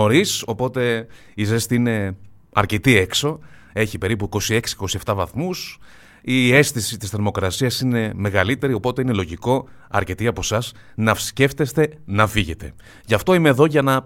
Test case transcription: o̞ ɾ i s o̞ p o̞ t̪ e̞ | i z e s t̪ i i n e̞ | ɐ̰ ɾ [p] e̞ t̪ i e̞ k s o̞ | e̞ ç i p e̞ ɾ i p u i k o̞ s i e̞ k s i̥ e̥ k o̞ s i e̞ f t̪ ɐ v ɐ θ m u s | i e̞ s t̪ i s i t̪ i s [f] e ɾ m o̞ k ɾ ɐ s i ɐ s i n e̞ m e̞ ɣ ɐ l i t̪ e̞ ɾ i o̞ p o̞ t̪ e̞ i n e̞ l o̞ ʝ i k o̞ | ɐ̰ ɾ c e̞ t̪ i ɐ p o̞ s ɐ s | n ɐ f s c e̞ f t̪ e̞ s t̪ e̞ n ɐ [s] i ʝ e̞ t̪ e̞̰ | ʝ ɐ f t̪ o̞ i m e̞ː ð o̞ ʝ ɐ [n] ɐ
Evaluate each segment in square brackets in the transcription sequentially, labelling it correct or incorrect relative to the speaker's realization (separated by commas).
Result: incorrect, incorrect, incorrect, correct